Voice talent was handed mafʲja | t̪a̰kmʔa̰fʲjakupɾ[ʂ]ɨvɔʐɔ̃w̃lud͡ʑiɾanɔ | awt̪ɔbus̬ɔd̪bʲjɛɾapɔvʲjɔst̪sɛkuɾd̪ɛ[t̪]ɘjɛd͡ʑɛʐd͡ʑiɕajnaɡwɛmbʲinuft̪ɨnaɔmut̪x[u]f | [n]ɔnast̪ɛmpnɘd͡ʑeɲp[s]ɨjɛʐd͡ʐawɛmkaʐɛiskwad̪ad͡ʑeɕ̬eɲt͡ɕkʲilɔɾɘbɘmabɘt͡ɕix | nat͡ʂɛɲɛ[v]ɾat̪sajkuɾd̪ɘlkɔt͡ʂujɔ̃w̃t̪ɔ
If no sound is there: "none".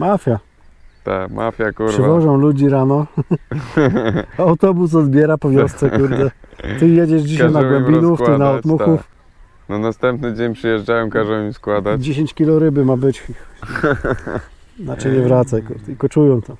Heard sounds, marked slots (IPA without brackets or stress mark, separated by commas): ʂ, t̪, u, n, ʂ, v